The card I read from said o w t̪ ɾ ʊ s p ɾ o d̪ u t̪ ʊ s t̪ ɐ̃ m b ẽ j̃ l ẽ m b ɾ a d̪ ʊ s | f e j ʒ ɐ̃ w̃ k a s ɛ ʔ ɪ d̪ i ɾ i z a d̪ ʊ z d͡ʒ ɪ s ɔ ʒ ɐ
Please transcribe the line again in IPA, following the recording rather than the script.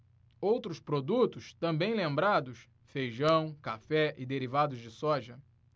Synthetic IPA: o w t̪ ɾ ʊ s p ɾ o d̪ u t̪ ʊ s t̪ ɐ̃ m b ẽ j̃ l ẽ m b ɾ a d̪ ʊ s | f e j ʒ ɐ̃ w̃ k a f ɛ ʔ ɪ d̪ e ɾ i v a d̪ ʊ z d͡ʒ ɪ s ɔ ʒ ɐ